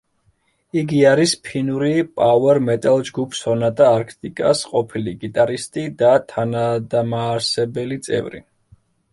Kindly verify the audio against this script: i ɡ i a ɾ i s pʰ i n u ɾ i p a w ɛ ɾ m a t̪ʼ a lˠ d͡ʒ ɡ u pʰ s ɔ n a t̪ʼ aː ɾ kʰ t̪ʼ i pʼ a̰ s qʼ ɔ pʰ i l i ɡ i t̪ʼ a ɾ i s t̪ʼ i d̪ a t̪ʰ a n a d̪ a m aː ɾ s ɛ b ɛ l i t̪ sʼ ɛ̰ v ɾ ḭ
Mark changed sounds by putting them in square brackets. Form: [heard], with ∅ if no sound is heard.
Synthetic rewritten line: i ɡ i a ɾ i s pʰ i n u ɾ i [pʼ] a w ɛ ɾ m [ɛ] t̪ʼ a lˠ d͡ʒ ɡ u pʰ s ɔ n a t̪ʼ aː ɾ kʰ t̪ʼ i [kʼ] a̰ s qʼ ɔ pʰ i l i ɡ i t̪ʼ a ɾ i s t̪ʼ i d̪ a t̪ʰ a n a d̪ a m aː ɾ s ɛ b ɛ l i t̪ sʼ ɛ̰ v ɾ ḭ